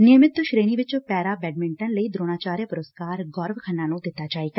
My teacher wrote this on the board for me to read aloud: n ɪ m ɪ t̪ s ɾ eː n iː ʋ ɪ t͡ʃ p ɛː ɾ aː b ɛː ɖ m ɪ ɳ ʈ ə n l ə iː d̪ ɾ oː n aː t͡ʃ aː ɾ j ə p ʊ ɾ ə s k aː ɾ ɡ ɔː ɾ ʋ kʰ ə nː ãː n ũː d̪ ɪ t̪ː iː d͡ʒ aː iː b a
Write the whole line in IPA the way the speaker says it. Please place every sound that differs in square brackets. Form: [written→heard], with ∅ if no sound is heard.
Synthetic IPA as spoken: n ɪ m ɪ t̪ [s→ʃ] ɾ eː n iː ʋ ɪ t͡ʃ p ɛː ɾ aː b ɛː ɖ m ɪ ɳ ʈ ə n l ə iː d̪ ɾ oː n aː t͡ʃ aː ɾ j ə p ʊ ɾ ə s k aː ɾ ɡ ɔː ɾ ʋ kʰ ə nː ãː n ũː d̪ ɪ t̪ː [iː→aː] d͡ʒ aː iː [b→ɡ] a